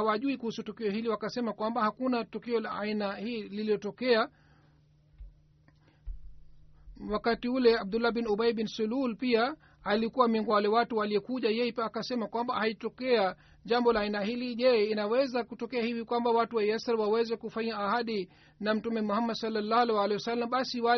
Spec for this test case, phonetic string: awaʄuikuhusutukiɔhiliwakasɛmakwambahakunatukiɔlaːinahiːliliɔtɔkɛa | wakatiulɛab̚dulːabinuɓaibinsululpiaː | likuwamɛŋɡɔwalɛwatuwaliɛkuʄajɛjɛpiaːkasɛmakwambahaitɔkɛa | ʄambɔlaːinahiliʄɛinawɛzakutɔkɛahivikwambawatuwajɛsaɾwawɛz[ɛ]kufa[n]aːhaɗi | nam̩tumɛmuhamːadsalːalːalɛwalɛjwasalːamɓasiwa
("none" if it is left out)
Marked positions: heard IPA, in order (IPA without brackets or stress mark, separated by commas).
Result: ɛ, ɲ